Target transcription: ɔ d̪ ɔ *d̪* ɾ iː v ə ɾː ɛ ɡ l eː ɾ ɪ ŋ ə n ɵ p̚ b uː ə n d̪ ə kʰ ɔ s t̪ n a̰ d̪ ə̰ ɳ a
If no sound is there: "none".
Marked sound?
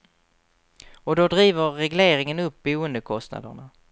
d̪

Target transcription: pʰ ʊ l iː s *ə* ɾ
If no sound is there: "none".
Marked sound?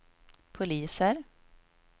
ə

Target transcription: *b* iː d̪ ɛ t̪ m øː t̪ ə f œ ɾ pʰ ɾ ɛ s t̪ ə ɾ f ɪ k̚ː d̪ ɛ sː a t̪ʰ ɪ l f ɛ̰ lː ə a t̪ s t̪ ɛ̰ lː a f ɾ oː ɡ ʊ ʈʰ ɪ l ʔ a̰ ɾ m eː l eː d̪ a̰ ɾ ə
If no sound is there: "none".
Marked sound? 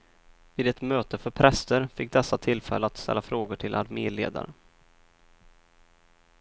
v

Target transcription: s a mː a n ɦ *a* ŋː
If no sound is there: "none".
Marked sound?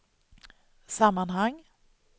a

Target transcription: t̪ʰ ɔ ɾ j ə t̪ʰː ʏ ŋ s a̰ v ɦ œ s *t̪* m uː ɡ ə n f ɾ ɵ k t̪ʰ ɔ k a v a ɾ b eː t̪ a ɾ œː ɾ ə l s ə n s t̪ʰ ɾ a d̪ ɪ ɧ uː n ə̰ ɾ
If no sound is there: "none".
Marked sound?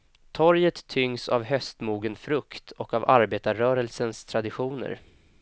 t̪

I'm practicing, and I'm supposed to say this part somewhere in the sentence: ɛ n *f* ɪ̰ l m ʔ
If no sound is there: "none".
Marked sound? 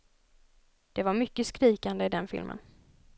f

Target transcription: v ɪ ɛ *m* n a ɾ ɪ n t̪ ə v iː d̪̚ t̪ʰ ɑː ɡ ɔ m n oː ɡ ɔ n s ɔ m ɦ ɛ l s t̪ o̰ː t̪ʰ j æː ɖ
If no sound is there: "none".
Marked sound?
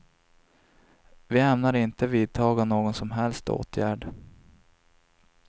m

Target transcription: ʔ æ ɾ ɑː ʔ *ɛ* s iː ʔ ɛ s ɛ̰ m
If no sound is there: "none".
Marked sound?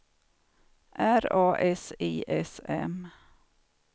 ɛ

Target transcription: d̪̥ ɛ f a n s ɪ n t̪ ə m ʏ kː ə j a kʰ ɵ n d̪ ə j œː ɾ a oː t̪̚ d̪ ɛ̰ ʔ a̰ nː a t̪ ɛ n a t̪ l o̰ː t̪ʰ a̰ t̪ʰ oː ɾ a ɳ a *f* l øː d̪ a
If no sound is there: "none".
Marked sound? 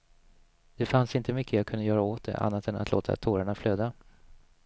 f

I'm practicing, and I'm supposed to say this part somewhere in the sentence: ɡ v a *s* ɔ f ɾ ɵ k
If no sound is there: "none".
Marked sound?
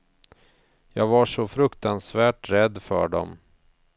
ʂ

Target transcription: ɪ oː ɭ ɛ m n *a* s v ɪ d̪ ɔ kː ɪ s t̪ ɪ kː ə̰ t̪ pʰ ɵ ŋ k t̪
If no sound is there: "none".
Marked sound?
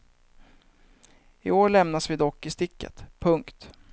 a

